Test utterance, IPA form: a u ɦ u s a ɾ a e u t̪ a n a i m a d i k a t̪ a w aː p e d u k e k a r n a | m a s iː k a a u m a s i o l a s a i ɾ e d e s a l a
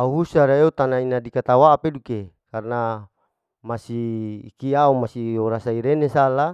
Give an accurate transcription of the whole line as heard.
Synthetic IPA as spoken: a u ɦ u s a ɾ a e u t̪ a n a i n a d i k a t̪ a w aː p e d u k e k a r n a | m a s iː k i a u m a s i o ɾ a s a i ɾ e n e s a l a